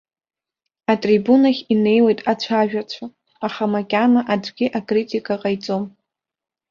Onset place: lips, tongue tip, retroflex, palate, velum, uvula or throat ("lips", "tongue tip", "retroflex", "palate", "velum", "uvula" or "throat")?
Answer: tongue tip